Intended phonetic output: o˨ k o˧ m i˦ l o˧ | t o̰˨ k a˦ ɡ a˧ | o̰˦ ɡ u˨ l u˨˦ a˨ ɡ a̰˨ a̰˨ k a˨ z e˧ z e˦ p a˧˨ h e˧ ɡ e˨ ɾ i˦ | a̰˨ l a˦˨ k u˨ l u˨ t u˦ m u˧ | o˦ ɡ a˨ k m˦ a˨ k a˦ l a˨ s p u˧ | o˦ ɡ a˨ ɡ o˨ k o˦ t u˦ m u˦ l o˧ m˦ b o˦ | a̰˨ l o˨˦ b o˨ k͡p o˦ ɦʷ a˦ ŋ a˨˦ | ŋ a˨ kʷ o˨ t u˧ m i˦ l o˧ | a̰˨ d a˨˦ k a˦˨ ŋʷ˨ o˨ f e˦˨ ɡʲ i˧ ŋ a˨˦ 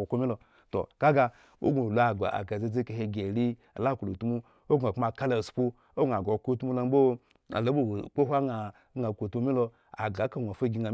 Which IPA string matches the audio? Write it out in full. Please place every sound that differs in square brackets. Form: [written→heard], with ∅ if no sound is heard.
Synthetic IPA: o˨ k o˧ m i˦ l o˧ | t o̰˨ k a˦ ɡ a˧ | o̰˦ ɡ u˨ l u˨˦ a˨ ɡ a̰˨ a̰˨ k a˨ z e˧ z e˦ [p→k] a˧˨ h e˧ ɡ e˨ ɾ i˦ | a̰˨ l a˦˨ k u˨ l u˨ t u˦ m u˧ | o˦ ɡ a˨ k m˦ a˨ k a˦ l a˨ s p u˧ | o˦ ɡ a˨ ɡ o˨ k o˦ t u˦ m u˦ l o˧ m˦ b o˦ | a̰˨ l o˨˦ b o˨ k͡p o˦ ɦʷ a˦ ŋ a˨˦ | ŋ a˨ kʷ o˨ t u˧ m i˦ l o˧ | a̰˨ [d→ɡ] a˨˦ k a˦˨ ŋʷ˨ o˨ f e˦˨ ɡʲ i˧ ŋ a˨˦